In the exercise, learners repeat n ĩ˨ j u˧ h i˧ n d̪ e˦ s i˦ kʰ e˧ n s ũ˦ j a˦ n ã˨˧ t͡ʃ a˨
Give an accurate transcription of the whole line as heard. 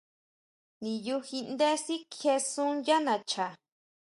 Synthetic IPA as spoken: n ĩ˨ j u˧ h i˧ n d̪ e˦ s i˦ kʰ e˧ s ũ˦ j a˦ n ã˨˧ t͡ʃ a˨